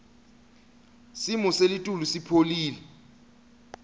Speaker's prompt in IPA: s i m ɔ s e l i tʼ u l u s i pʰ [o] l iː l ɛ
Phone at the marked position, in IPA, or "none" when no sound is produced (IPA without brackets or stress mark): o